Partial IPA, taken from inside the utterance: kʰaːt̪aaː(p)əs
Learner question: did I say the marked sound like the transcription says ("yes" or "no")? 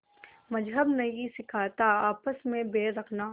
yes